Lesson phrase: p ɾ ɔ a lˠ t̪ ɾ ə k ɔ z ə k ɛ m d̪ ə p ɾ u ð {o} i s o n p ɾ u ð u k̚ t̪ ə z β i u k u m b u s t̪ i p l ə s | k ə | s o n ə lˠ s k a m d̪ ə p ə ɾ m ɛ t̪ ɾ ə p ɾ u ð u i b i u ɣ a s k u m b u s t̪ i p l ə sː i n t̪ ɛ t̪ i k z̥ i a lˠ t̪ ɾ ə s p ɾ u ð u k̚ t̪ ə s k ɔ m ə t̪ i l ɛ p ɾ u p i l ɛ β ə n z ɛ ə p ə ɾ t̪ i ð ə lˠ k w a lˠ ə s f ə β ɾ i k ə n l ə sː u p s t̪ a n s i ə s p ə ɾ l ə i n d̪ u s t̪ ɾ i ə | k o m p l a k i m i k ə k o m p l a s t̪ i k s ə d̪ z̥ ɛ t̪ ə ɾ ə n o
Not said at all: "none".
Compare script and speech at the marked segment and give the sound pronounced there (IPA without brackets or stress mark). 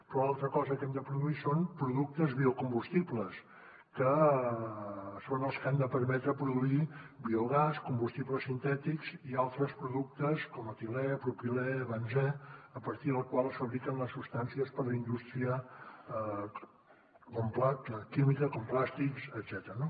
u